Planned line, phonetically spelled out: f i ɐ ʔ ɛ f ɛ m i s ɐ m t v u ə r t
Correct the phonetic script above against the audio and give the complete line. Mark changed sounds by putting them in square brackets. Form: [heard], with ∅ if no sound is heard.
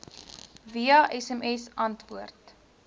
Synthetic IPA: [v] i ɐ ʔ ɛ [s] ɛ m [ɛ] s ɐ [n] t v u ə r t